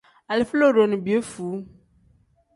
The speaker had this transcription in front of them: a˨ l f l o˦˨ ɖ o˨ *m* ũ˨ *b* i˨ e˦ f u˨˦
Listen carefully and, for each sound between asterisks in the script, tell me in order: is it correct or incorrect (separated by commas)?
incorrect, correct